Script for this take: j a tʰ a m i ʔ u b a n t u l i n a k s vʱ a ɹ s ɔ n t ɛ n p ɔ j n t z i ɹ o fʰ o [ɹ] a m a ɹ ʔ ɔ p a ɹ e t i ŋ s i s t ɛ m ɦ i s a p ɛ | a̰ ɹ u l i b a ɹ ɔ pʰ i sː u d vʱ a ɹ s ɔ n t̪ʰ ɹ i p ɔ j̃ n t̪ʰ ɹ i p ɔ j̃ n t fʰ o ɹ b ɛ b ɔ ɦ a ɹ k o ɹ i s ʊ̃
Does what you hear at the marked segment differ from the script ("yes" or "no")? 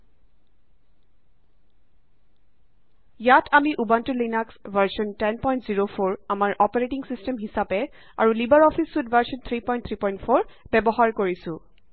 no